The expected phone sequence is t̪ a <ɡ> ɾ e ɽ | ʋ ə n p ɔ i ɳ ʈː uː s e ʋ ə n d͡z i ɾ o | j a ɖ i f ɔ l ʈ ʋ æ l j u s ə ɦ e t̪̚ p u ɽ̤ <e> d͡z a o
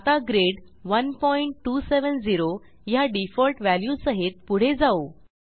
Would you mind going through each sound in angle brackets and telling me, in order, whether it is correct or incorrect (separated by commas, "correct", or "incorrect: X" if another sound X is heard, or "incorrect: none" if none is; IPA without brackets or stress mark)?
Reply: correct, correct